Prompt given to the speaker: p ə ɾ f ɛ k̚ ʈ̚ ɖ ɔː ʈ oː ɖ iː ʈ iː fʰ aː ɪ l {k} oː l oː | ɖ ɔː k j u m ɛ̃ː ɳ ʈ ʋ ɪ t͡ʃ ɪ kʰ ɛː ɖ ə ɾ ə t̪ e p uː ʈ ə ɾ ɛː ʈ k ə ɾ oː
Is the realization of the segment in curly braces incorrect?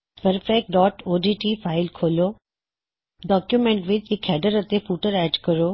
yes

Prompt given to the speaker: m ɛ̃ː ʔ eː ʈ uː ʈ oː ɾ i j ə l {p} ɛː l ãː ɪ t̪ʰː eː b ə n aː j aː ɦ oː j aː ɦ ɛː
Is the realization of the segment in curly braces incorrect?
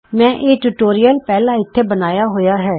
no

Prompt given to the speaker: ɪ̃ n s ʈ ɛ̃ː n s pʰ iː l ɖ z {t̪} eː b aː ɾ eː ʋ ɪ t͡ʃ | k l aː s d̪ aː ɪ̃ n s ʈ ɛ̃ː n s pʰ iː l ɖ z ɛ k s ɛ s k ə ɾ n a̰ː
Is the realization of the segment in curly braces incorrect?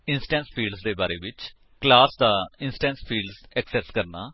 yes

